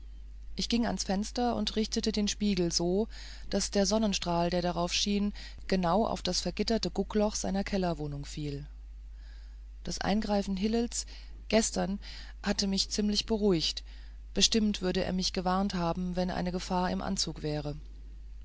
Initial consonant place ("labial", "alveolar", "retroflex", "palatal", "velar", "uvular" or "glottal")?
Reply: glottal